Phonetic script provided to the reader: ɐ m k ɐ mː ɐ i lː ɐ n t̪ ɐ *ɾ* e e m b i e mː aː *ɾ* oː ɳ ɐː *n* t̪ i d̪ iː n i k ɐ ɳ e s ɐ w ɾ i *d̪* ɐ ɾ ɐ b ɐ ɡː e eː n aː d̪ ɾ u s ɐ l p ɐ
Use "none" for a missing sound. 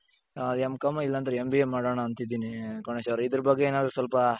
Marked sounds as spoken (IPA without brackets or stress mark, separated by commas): ɾ, ɽ, n, d̪